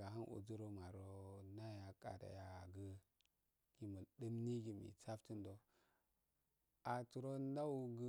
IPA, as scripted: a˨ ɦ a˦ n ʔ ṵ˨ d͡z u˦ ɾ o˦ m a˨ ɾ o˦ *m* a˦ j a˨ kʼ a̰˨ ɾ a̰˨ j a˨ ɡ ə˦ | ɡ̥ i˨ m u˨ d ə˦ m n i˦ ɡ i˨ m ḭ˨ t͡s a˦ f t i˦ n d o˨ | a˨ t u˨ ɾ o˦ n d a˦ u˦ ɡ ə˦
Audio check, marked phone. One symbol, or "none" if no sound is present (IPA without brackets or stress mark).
n